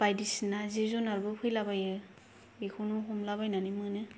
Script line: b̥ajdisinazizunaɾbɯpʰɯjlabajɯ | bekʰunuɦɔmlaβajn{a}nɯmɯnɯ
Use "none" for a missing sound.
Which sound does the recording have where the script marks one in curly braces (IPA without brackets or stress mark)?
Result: a